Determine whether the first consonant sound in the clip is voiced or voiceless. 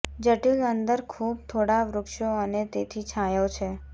voiced